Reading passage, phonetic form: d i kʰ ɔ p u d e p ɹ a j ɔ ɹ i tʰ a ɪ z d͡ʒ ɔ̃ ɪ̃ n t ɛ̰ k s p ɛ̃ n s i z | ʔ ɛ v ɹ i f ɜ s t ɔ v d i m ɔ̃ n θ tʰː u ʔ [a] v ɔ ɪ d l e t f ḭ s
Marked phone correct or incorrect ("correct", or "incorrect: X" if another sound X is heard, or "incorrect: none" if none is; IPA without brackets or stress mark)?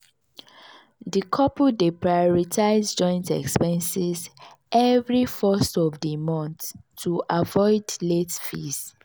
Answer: correct